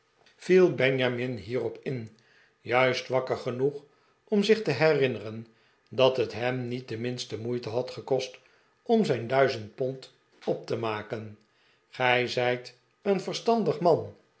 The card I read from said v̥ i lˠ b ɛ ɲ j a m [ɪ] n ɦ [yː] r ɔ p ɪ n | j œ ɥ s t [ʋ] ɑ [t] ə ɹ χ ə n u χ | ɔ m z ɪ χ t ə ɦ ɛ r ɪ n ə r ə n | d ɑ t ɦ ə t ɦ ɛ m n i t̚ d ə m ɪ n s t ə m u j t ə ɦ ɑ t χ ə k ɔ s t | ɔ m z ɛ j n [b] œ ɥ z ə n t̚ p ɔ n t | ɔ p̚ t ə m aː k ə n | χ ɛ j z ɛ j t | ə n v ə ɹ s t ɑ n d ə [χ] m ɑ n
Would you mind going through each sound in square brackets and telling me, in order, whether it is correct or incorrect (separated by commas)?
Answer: correct, incorrect, correct, incorrect, incorrect, correct